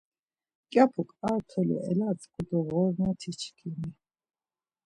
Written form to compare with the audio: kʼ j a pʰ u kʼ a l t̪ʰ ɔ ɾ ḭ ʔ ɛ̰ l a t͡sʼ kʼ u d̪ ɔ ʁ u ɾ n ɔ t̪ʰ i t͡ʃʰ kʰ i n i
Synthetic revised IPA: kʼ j a pʰ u kʼ a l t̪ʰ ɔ l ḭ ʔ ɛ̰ l a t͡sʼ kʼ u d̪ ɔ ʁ ɔ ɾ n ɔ t̪ʰ i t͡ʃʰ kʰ i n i